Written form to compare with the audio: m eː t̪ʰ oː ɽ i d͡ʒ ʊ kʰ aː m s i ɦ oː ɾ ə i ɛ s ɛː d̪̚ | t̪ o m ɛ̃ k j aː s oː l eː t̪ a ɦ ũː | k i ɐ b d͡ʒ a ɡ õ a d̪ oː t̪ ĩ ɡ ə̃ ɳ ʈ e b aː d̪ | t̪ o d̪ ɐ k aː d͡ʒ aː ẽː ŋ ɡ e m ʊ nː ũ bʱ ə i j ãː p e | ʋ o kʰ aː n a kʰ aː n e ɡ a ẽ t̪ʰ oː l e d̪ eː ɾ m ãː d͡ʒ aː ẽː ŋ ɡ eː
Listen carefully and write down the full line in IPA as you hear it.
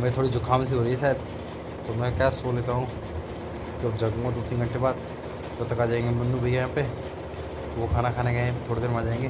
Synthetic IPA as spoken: m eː t̪ʰ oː ɽ i d͡ʒ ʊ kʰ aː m s i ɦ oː ɾ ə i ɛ s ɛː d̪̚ | t̪ o m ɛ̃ k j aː s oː l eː t̪ a ɦ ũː | k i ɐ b d͡ʒ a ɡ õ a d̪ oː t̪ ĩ ɡ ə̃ ɳ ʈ e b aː d̪ | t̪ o t̪ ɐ k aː d͡ʒ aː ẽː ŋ ɡ e m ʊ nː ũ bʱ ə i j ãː p e | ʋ o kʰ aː n a kʰ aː n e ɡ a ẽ t̪ʰ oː ɽ e d̪ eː ɾ m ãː d͡ʒ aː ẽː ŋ ɡ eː